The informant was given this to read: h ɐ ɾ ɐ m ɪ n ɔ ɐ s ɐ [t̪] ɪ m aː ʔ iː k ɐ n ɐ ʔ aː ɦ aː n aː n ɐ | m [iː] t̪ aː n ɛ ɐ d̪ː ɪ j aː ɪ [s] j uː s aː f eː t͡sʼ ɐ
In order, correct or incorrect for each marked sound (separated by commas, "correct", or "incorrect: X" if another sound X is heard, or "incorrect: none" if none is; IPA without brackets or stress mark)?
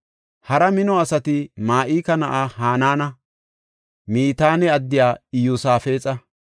correct, correct, incorrect: none